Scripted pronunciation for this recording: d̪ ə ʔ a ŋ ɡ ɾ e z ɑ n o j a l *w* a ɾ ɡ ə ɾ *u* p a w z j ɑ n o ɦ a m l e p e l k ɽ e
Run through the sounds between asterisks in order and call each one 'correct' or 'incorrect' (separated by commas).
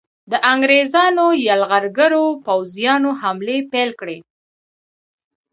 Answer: incorrect, incorrect